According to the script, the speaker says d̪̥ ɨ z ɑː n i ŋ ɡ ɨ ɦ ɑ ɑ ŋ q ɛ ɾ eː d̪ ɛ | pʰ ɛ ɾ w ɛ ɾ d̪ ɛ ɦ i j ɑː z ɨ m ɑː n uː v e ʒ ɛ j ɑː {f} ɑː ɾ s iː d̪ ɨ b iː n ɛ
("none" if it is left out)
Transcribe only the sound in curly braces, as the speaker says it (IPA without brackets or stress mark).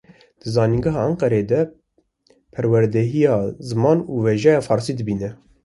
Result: f